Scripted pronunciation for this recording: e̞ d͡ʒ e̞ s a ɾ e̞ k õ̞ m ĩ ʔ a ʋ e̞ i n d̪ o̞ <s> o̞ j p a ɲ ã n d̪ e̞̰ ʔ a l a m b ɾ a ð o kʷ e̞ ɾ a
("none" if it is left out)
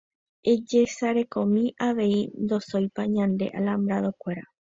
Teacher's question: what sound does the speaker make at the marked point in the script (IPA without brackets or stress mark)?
s